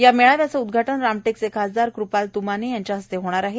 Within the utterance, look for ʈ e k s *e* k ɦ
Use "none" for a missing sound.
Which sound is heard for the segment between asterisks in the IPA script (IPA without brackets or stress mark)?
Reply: e